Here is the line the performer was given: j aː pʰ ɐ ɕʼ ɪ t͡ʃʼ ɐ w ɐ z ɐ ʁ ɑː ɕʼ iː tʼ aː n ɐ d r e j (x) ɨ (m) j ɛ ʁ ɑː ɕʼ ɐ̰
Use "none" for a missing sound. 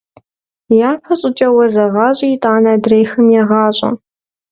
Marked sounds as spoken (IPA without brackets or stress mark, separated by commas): x, m